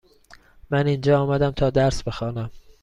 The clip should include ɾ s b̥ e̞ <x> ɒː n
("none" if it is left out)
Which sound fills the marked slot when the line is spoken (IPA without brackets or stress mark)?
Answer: x